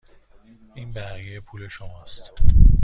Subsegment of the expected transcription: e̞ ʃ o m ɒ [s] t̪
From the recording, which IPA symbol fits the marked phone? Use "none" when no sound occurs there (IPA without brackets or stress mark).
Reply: s